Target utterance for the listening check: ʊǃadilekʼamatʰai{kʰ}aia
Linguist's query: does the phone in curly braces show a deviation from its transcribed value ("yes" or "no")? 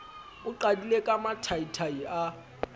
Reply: yes